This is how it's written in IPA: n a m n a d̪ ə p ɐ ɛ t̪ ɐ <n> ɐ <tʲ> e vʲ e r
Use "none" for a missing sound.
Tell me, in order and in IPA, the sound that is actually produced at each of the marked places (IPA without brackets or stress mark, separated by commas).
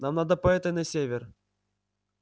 n, sʲ